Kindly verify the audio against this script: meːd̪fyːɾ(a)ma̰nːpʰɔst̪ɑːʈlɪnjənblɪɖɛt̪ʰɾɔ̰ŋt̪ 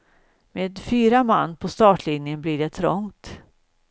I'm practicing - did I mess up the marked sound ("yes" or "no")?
no